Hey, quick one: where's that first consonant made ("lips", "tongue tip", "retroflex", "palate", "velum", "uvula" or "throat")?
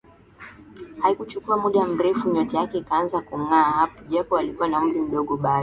throat